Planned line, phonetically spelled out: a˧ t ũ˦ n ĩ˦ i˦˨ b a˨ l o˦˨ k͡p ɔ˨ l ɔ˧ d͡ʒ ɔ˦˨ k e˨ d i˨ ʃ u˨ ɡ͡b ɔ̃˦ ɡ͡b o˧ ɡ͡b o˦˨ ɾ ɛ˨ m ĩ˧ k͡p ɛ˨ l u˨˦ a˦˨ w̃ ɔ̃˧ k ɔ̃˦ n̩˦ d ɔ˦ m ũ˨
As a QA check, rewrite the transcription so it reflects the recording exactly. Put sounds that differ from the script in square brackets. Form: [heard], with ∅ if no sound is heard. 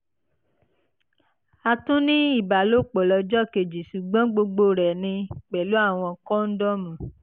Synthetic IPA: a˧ t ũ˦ n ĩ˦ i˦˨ b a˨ l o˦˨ k͡p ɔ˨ l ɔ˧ d͡ʒ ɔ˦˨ k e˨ [d͡ʒ] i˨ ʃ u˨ ɡ͡b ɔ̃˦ ɡ͡b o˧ ɡ͡b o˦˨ ɾ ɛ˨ [n] ĩ˧ k͡p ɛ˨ l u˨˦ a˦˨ w̃ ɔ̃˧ k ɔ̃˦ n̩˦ d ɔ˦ m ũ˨